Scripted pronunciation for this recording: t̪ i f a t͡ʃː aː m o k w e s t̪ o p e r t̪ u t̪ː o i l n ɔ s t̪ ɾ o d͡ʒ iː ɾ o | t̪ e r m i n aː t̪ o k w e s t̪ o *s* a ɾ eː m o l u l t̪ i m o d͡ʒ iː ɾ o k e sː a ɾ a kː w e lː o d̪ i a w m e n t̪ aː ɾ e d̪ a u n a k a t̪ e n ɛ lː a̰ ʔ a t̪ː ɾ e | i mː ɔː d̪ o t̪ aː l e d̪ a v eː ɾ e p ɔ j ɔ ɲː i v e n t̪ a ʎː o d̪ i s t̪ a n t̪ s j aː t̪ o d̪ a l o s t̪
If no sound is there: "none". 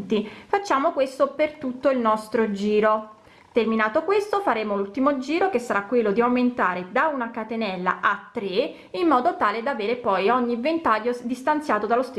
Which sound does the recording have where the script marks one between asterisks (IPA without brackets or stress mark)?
f